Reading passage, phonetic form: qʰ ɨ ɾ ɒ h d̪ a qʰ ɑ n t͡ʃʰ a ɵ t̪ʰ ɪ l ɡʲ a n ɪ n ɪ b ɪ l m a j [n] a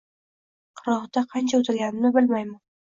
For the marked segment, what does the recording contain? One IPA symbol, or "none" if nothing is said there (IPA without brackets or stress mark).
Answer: m